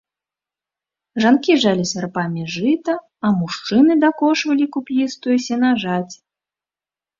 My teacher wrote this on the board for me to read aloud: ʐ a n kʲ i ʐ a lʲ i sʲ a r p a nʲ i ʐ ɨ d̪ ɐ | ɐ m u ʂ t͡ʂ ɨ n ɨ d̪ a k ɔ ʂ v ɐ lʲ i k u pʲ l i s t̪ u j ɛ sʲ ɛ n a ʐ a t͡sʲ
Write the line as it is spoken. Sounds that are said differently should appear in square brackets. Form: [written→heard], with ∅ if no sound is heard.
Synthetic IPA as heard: ʐ a n kʲ i ʐ a lʲ i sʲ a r p a [nʲ→mʲ] i ʐ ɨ [d̪→t̪] ɐ | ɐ m u ʂ t͡ʂ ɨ n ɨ d̪ a k ɔ ʂ v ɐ lʲ i k u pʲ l i s t̪ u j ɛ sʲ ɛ n a ʐ a t͡sʲ